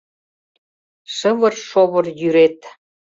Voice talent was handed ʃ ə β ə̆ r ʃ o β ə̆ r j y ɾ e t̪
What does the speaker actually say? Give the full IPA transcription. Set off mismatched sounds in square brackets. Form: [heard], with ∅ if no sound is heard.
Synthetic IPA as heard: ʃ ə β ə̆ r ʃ o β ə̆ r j y ɾ e t̪